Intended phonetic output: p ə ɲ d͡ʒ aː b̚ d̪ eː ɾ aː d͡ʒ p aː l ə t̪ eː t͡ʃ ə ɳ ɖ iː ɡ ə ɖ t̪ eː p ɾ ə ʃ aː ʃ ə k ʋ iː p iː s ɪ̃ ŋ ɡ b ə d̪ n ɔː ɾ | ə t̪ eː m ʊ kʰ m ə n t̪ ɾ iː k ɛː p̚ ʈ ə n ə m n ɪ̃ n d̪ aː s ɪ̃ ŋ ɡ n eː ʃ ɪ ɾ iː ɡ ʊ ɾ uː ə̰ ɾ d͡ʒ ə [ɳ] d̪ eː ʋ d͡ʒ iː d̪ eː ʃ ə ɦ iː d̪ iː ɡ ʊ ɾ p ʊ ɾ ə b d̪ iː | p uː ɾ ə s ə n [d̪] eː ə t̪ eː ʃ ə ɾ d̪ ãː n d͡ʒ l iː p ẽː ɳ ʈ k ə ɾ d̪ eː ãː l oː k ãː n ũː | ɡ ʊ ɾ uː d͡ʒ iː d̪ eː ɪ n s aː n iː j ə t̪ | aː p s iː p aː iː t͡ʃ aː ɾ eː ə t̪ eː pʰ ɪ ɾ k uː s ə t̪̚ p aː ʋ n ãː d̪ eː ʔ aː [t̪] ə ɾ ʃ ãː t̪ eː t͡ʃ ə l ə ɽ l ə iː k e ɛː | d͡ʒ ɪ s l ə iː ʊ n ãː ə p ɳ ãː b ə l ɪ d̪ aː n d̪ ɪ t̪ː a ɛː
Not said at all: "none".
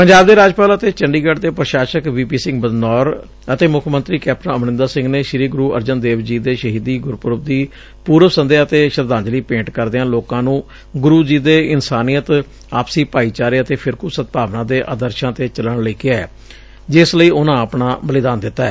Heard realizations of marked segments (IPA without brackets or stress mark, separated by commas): n, d̪, d̪